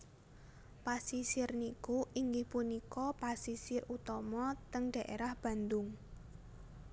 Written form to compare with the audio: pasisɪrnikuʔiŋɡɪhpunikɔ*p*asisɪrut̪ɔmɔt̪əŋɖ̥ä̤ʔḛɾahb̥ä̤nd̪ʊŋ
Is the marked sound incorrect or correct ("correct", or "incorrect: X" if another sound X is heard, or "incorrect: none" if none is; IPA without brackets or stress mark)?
correct